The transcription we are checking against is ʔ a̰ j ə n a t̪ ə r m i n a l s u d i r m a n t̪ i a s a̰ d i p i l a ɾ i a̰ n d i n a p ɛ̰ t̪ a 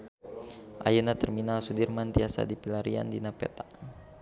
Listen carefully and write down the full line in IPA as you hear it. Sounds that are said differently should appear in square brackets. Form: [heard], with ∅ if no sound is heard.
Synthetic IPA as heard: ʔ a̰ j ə n a t̪ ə r m i n a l s u d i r m a n t̪ i a s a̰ d i p i l a ɾ i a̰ n d i n a p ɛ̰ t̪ a